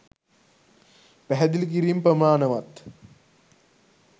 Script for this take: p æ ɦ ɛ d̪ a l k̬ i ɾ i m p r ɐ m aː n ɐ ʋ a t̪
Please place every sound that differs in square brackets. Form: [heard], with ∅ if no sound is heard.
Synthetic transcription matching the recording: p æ ɦ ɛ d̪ [i] l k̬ i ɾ i m p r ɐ m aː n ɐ ʋ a t̪

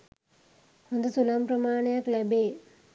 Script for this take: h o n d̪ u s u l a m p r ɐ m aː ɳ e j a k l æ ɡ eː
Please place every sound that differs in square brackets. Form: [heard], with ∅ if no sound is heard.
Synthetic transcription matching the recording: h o n d̪ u s u l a m p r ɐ m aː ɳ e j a k l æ [b] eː

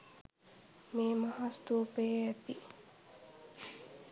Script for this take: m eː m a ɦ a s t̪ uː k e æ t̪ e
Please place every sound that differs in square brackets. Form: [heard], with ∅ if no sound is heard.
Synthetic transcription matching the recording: m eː m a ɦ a s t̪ uː [p] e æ t̪ [i]

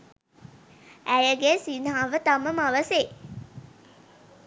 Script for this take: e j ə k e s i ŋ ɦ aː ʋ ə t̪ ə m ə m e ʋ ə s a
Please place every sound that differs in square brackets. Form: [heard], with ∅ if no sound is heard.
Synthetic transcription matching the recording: [æ] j ə [ɡ] e s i [n] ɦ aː ʋ ə t̪ [a] m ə m [a] ʋ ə s [e]

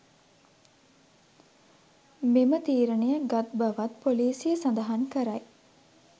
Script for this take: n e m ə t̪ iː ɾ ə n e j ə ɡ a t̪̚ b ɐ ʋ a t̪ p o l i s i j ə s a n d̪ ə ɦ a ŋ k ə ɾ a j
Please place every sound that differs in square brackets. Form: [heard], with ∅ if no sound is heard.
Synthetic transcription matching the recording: [m] e m ə t̪ iː ɾ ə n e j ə ɡ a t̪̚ b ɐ ʋ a t̪ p o l [iː] s i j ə s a n d̪ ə ɦ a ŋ k ə ɾ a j

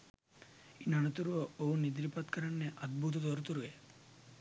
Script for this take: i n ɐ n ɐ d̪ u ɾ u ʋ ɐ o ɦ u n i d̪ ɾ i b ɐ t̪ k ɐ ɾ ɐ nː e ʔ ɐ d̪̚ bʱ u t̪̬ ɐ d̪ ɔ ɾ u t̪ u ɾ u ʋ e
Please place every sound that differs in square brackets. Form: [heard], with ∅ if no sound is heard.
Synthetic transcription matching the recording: i n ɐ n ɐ [t̪] u ɾ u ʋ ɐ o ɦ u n i d̪ ɾ i [p] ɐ t̪ k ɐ ɾ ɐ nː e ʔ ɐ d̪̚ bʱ u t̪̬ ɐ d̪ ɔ ɾ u t̪ u ɾ u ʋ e

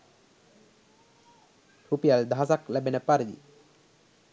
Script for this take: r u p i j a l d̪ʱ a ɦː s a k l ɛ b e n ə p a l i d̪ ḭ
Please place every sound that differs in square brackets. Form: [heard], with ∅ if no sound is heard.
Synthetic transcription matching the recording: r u p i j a l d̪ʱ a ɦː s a k l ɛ b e n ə p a [ɾ] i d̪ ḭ

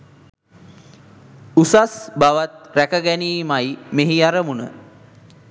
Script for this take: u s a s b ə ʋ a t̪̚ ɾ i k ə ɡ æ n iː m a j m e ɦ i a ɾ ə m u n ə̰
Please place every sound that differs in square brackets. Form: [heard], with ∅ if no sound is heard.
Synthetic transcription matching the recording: u s a s b [a] ʋ a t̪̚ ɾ [æ] k ə ɡ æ n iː m a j m e ɦ i a ɾ ə m u n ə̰

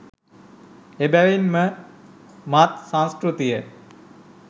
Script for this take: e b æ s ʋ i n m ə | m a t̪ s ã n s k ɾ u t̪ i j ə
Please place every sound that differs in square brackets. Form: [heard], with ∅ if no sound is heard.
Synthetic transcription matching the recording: e b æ [∅] ʋ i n m ə | m a t̪ s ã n s k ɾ u t̪ i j ə

